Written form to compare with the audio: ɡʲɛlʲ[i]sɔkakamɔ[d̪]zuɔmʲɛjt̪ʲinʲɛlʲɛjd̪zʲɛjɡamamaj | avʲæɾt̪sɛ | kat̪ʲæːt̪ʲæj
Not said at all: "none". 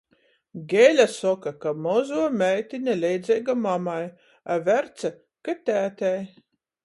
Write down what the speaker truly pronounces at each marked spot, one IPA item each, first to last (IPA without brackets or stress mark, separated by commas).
a, none